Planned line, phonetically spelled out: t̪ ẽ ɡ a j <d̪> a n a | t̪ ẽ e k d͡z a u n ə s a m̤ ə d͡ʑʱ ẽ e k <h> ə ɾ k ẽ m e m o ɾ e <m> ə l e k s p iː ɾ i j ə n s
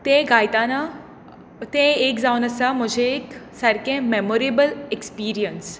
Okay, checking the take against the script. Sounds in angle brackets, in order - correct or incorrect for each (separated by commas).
incorrect, incorrect, incorrect